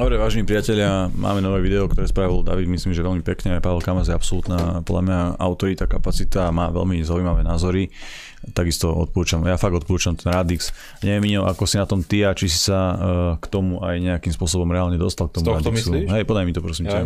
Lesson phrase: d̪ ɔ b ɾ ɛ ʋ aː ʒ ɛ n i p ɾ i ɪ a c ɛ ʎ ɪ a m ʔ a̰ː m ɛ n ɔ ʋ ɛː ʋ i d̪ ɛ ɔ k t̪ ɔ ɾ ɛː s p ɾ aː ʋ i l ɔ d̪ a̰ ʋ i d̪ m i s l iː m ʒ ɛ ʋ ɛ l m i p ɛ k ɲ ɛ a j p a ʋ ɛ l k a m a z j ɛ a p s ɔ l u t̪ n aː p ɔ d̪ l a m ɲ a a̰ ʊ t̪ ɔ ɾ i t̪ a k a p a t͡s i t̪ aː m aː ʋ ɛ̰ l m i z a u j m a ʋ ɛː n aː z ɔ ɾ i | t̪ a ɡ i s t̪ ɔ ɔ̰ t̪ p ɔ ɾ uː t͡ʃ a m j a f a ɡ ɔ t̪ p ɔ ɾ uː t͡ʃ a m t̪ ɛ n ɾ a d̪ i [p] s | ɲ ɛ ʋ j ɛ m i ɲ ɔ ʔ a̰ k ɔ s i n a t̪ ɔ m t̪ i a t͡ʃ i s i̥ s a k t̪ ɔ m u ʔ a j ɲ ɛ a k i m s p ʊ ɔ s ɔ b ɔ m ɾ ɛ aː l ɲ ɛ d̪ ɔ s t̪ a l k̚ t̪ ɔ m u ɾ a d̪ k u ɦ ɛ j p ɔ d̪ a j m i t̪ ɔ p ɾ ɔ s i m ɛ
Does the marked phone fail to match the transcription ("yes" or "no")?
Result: yes